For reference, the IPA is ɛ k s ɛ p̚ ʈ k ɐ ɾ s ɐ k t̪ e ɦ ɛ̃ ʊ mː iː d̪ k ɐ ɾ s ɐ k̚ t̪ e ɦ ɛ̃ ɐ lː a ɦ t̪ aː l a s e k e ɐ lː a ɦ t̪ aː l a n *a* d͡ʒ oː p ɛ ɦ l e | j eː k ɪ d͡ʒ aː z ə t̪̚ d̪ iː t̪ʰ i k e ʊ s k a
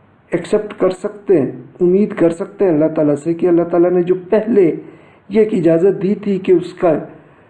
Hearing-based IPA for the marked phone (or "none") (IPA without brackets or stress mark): e